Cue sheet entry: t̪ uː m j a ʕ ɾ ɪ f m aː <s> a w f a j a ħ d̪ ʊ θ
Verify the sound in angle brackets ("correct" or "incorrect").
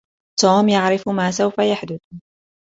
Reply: correct